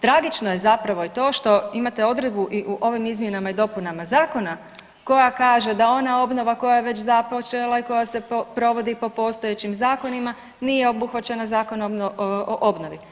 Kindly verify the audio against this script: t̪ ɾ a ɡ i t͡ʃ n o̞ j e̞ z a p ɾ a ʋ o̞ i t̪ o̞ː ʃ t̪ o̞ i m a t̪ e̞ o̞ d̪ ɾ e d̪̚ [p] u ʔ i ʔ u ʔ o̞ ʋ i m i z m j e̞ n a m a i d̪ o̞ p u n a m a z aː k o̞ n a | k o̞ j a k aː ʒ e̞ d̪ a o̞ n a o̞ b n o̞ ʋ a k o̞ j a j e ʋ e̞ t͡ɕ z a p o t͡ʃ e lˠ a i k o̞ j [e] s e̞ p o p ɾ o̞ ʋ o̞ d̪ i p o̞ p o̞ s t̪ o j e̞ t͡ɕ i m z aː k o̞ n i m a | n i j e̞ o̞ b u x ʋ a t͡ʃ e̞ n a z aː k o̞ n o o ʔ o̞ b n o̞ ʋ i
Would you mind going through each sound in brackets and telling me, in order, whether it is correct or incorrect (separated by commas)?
incorrect, incorrect